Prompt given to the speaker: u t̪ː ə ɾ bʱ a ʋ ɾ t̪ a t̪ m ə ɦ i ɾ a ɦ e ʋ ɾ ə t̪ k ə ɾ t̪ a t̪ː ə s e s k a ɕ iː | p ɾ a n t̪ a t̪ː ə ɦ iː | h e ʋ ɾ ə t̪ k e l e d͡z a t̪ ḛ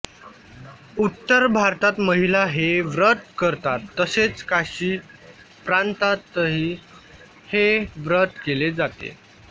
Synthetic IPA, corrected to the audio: u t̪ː ə ɾ bʱ a ɾ t̪ a t̪ m ə ɦ i l a ɦ e ʋ ɾ ə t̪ k ə ɾ t̪ a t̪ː ə s e t͡s k a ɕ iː | p ɾ a n t̪ a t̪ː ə ɦ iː | h e ʋ ɾ ə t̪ k e l e d͡z a t̪ ḛ